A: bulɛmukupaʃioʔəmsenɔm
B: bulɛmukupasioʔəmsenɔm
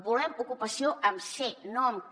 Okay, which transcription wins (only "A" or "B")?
B